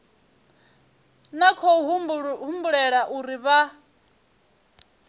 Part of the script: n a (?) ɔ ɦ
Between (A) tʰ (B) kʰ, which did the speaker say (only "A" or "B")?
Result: B